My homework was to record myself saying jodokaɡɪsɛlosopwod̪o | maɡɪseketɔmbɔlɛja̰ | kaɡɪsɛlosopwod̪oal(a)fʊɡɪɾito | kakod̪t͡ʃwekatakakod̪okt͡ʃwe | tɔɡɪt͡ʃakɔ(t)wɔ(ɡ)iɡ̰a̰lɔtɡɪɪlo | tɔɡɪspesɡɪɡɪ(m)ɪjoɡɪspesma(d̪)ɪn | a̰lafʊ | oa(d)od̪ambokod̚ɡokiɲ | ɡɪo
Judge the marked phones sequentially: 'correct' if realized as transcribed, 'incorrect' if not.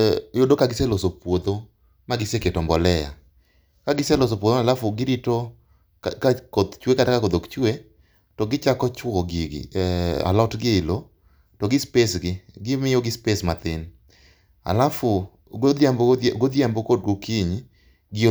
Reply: correct, incorrect, correct, correct, incorrect, incorrect

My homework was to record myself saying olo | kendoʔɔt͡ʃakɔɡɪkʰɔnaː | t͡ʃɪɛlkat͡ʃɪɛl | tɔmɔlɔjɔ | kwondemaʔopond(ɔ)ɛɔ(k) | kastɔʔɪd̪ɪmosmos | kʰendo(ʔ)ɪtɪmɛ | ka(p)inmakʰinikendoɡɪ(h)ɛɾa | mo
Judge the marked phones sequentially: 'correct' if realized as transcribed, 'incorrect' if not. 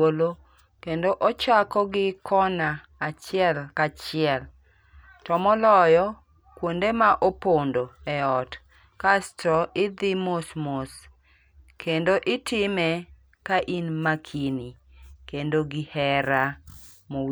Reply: incorrect, incorrect, correct, incorrect, correct

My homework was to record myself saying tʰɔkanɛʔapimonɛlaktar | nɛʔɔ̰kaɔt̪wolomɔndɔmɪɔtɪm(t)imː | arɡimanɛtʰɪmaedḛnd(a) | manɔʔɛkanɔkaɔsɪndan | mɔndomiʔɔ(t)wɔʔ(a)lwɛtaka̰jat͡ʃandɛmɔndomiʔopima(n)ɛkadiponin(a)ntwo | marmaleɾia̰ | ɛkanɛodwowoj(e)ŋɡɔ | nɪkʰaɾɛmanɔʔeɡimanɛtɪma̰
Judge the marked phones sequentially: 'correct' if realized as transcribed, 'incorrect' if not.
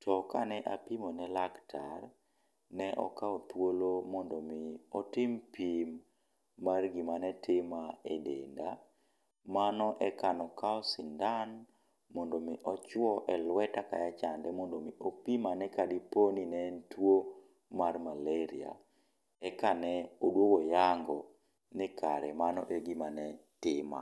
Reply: incorrect, correct, incorrect, incorrect, correct, incorrect, incorrect

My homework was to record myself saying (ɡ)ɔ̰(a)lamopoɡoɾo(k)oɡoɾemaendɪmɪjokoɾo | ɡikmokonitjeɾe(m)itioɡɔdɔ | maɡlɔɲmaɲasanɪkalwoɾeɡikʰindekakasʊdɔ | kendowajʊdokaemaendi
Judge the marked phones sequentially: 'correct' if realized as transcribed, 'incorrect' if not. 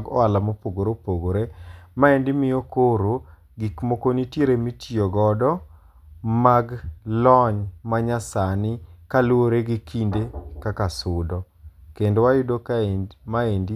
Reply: correct, correct, incorrect, correct

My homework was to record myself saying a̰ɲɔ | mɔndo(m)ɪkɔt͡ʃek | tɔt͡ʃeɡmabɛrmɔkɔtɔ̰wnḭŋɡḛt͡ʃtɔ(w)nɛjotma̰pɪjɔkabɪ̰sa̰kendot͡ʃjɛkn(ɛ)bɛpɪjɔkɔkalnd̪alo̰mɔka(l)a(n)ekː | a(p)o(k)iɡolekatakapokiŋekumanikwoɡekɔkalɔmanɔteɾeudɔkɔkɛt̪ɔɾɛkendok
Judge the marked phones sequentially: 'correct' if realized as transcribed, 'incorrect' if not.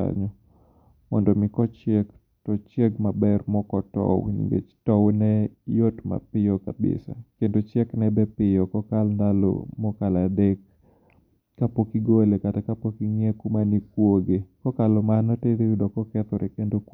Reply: correct, correct, correct, correct, incorrect, correct, correct

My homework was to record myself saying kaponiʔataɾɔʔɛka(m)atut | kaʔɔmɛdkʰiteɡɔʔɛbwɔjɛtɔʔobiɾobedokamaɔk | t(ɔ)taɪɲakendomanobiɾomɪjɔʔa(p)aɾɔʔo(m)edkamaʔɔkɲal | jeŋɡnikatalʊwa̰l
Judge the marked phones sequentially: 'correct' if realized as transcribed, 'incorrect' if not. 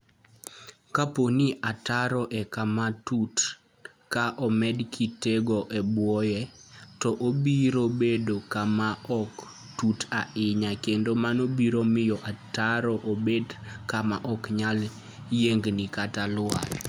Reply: correct, incorrect, incorrect, incorrect

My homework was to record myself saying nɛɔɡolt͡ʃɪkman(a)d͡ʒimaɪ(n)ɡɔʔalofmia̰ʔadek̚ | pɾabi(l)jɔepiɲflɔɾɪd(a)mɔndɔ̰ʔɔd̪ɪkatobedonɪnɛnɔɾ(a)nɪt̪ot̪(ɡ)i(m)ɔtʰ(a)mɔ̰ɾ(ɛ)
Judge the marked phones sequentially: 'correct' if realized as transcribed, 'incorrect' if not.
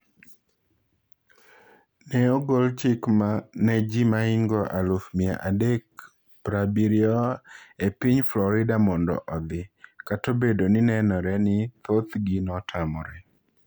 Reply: incorrect, incorrect, incorrect, correct, incorrect, correct, incorrect, correct, correct

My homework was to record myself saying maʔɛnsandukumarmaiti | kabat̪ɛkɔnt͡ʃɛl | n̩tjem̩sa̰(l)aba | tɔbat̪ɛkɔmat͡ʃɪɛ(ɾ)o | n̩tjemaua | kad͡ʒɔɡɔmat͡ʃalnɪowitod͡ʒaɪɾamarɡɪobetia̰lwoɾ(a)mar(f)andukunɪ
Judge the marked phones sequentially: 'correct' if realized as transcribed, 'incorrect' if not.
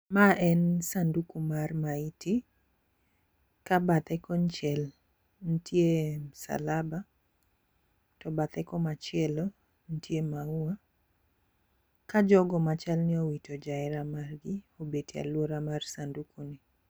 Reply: correct, incorrect, correct, incorrect

